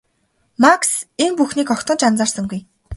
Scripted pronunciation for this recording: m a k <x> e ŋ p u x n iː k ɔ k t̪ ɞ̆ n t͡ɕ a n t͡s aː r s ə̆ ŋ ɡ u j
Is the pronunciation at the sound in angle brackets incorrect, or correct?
incorrect